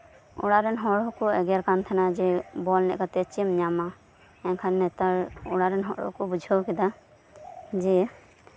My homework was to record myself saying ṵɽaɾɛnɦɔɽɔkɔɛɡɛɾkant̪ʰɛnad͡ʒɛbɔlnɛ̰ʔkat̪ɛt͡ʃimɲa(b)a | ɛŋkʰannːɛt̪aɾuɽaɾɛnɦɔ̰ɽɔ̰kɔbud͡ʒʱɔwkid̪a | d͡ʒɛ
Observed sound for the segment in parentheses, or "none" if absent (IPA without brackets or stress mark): m